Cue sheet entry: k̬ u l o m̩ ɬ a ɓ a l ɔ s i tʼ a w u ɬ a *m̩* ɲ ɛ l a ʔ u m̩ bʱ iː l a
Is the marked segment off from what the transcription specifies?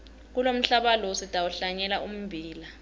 yes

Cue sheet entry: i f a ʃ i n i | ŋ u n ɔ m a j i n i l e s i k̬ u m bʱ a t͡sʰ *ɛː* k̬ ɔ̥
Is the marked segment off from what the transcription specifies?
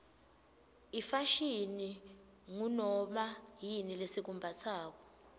yes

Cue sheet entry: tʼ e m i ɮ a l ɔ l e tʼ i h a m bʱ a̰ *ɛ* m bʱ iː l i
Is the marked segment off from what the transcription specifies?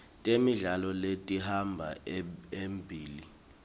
yes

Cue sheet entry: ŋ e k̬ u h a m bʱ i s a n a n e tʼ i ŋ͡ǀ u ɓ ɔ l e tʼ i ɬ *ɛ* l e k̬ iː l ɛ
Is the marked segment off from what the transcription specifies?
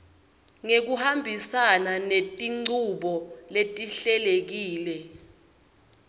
no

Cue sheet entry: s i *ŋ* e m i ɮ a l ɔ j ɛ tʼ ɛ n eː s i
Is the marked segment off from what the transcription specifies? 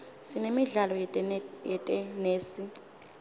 yes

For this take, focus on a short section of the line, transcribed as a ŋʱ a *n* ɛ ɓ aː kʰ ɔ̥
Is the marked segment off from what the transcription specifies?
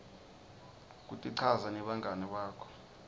no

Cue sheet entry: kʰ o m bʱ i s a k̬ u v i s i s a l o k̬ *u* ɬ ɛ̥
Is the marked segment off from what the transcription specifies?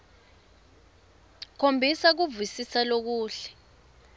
yes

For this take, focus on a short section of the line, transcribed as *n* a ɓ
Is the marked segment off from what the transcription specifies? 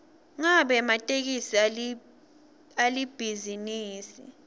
yes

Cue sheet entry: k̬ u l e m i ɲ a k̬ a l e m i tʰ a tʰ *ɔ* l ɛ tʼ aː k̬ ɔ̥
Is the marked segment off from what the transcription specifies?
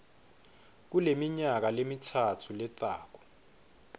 yes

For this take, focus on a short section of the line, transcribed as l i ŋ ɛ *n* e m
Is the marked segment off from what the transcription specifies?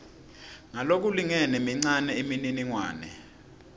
no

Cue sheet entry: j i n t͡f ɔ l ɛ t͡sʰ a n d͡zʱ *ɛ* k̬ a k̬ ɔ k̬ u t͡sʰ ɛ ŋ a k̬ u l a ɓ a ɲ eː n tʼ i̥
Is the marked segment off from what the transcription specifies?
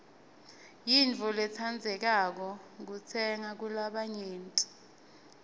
no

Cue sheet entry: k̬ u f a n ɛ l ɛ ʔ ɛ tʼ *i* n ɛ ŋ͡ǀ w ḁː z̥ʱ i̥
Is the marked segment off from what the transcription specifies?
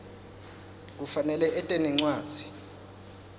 yes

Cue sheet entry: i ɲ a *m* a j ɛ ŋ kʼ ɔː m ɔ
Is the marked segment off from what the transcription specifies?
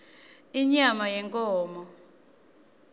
no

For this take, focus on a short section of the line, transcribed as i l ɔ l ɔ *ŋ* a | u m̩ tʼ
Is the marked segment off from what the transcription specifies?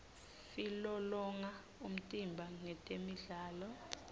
no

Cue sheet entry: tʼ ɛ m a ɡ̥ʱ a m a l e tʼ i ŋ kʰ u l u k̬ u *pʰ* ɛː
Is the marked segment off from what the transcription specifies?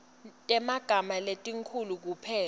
no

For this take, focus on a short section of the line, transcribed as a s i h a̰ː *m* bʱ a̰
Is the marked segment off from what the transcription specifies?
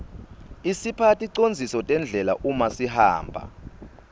no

